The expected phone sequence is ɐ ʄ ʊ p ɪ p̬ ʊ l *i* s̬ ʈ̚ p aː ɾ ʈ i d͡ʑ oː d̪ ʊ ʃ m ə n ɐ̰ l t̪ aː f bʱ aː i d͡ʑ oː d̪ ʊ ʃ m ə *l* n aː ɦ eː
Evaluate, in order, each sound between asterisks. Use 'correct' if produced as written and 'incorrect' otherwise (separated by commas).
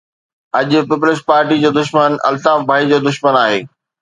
incorrect, incorrect